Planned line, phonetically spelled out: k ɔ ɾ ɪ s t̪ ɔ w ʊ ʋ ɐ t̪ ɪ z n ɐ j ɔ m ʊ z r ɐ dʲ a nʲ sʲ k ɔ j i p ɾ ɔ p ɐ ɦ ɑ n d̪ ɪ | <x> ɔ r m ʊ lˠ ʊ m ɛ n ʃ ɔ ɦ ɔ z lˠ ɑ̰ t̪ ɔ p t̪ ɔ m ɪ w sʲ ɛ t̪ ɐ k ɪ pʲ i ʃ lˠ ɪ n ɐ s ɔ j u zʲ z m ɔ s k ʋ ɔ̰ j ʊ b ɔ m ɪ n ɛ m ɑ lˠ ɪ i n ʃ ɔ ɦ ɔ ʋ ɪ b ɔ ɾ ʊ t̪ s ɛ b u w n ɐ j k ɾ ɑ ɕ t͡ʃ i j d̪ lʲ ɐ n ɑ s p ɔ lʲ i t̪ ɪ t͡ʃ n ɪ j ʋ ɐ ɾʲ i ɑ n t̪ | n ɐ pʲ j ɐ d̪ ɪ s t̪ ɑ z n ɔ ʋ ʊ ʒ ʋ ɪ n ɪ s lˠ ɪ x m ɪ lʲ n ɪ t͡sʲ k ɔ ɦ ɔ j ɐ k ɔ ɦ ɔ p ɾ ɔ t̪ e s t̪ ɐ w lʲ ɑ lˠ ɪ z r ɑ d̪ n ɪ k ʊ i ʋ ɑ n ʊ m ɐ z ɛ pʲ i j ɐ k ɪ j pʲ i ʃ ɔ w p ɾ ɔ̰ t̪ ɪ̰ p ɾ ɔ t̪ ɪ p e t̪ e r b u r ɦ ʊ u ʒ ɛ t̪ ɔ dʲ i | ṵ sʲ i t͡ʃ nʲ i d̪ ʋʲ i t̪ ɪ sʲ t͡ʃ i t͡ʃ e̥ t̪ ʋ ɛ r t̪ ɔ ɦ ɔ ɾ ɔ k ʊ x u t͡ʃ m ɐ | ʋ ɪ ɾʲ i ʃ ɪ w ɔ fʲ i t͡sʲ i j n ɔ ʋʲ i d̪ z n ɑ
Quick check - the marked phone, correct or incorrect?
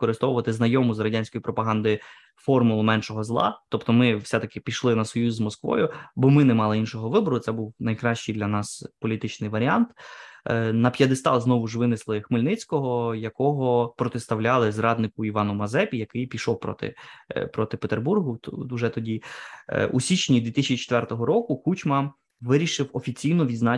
incorrect